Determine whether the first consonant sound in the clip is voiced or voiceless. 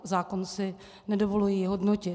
voiced